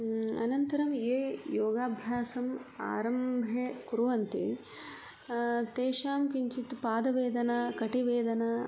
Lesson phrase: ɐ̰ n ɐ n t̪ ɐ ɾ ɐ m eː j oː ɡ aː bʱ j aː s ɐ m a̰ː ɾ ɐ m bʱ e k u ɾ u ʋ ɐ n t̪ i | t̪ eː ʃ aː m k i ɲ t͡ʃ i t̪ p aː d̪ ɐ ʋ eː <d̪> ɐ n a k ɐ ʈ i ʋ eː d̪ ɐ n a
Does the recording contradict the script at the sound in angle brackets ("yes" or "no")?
no